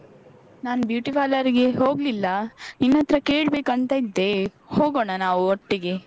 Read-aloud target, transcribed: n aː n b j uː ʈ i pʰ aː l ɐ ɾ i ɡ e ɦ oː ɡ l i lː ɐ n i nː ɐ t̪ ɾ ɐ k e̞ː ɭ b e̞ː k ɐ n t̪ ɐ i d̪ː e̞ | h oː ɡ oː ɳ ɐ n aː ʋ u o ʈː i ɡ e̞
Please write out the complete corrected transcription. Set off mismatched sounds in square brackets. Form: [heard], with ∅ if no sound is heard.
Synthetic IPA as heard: n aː n b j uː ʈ i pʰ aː l ɐ ɾ i ɡ e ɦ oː ɡ l i lː ɐ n i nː ɐ t̪ ɾ ɐ k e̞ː ɭ b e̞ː k ɐ n t̪ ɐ i d̪ː e̞ | h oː ɡ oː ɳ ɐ n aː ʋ u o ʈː i ɡ e̞